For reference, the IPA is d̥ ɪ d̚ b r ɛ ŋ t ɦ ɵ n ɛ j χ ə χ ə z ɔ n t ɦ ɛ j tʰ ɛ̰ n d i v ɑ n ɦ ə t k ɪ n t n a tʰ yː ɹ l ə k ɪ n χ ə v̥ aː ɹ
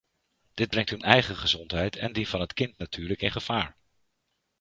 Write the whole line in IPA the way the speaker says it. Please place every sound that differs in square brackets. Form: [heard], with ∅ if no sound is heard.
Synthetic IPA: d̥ ɪ d̚ b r ɛ ŋ t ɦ ɵ n ɛ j χ ə χ ə z ɔ n t ɦ ɛ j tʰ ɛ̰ n d i v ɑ n ɦ ə t k ɪ n t n a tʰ yː ɹ l ə k ɪ n χ ə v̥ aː ɹ

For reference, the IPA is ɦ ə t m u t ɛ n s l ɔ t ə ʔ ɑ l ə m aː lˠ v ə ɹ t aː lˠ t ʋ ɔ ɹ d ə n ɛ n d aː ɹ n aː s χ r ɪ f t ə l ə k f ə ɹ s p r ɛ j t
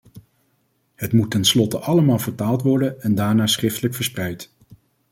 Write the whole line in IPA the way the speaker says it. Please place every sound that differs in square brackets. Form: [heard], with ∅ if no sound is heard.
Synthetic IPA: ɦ ə t m u t ɛ n s l ɔ t ə ʔ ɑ l ə m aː lˠ v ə ɹ t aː lˠ t ʋ ɔ ɹ d ə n ɛ n d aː ɹ n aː s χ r ɪ f t ə l ə k f ə ɹ s p r ɛ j t

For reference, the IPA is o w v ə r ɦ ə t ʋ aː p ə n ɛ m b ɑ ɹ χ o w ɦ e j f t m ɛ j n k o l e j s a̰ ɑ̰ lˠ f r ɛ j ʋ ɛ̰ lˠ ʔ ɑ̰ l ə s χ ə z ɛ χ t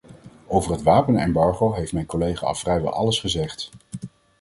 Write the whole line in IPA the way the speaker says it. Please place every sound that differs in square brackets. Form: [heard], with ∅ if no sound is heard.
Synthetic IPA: o w v ə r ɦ ə t ʋ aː p ə n ɛ m b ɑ ɹ χ o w ɦ e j f t m ɛ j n k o l e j [χ] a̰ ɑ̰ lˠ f r ɛ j ʋ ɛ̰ lˠ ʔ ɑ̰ l ə s χ ə z ɛ χ t

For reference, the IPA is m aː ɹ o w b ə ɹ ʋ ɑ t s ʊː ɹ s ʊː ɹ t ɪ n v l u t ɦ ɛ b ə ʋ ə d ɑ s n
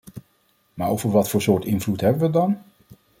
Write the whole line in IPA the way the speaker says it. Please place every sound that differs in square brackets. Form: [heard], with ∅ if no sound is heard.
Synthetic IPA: m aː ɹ o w [v] ə ɹ ʋ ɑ t [f] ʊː ɹ s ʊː ɹ t ɪ n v l u t ɦ ɛ b ə ʋ ə d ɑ [∅] n

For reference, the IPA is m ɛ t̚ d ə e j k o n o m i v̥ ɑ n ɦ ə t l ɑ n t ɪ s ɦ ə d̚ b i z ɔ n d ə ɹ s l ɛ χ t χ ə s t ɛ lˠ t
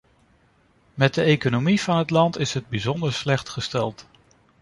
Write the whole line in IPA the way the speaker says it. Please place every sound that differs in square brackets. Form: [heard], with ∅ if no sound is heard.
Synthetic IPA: m ɛ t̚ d ə e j k o n o m i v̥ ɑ n ɦ ə t l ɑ n t ɪ s ɦ ə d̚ b i z ɔ n d ə ɹ s l ɛ χ t χ ə s t ɛ lˠ t

